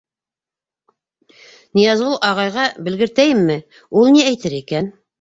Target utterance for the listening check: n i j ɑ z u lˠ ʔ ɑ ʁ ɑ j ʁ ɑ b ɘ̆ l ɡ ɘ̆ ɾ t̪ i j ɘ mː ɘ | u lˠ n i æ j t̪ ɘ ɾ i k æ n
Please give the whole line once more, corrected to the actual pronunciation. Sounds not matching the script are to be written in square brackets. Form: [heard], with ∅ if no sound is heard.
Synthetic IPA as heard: n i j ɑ z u lˠ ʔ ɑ ʁ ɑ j ʁ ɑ b ɘ̆ l ɡ ɘ̆ ɾ t̪ [æ] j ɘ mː ɘ | u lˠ n i æ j t̪ ɘ ɾ i k æ n